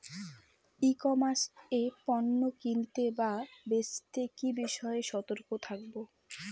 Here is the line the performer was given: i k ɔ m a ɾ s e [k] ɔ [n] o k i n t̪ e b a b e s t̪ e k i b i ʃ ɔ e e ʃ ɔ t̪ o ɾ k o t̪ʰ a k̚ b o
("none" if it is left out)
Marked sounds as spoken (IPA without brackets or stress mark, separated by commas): p, nː